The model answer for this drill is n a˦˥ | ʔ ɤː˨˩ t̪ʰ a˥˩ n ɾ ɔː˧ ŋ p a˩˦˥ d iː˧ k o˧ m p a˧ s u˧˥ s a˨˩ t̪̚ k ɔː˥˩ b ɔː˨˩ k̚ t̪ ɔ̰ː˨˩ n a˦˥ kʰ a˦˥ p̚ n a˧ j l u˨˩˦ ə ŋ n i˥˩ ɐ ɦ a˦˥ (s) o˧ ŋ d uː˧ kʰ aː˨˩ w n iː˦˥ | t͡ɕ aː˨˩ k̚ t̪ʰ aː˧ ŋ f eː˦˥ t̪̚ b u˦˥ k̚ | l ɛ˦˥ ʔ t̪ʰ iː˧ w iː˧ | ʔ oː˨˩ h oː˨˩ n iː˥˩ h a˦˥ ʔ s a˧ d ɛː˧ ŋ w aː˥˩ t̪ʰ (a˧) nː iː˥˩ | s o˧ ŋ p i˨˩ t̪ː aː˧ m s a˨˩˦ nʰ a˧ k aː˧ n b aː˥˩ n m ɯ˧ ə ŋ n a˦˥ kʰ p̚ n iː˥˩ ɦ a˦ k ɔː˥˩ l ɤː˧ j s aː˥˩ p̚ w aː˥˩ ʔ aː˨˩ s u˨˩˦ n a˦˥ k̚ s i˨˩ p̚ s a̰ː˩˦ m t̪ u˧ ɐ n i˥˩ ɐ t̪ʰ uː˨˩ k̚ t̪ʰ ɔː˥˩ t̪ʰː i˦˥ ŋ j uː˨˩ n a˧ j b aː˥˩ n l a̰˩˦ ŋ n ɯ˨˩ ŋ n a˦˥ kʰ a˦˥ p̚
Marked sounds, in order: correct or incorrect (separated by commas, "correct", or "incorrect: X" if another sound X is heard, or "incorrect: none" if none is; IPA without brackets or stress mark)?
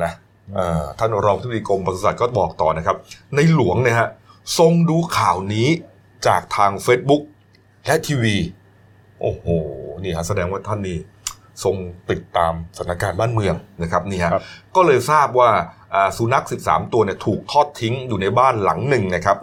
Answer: correct, incorrect: a˥˩